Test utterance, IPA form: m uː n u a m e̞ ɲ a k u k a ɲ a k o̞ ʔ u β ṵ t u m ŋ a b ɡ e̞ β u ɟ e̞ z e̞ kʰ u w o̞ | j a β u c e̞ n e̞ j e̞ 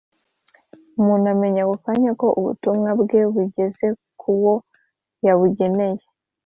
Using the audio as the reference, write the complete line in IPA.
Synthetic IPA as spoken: m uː n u a m e̞ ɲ a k u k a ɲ a k o̞ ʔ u β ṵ t u m ŋ a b ɡ e̞ β u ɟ e̞ z e̞ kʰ u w o̞ | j a β u ɟ e̞ n e̞ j e̞